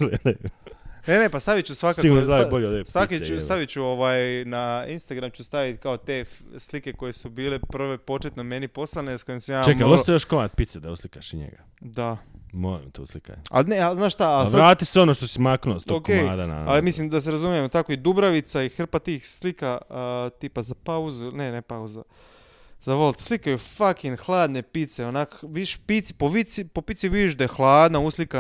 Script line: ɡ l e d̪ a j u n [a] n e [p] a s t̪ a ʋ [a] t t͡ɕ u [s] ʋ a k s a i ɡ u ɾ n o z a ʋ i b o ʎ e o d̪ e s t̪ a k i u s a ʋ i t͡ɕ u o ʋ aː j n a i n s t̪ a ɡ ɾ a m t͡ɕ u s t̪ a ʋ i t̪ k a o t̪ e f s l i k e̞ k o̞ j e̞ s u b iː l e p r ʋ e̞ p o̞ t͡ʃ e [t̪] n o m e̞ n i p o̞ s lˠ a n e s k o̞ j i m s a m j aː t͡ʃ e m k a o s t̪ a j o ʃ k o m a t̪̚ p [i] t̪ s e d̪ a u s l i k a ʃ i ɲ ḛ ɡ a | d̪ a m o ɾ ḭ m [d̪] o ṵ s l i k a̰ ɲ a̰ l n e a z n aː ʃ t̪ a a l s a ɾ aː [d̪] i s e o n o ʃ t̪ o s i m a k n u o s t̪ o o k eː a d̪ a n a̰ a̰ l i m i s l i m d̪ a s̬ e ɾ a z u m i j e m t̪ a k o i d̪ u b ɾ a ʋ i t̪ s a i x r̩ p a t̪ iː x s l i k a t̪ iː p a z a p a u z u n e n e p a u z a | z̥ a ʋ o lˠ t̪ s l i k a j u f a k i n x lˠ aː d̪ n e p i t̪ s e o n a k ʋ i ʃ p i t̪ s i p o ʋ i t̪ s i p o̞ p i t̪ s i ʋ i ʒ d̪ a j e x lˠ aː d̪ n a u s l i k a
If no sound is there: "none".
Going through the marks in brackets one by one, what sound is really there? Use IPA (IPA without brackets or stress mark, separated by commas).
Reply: e, p, i, s, t̪, i, t̪, t̪